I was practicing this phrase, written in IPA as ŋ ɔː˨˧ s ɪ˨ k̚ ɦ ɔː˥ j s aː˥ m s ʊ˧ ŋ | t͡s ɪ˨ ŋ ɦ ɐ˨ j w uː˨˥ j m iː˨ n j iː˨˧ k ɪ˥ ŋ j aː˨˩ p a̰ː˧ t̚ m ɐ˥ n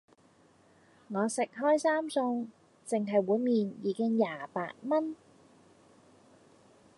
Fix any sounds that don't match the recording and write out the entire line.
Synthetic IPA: ŋ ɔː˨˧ s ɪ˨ k̚ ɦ ɔː˥ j s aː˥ m s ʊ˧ ŋ | t͡s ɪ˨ ŋ ɦ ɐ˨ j w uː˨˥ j m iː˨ n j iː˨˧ k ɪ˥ ŋ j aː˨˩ p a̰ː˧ t̚ m ɐ˥ n